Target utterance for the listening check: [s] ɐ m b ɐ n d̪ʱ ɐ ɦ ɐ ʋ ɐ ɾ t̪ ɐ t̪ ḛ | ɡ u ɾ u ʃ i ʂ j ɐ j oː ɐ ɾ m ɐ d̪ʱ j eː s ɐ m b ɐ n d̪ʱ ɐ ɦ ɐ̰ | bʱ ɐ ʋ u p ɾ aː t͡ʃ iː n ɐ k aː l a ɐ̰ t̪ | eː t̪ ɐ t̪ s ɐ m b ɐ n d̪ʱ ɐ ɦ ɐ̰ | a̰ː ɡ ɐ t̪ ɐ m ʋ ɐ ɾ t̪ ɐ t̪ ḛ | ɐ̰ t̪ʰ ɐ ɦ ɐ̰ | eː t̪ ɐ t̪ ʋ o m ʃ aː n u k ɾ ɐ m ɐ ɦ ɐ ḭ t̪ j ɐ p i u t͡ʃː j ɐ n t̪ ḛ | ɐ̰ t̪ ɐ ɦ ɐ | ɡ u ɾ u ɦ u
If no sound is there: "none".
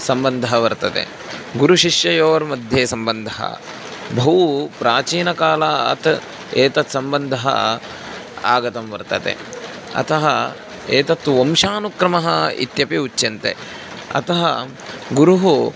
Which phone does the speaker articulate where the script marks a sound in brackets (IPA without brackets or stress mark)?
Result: s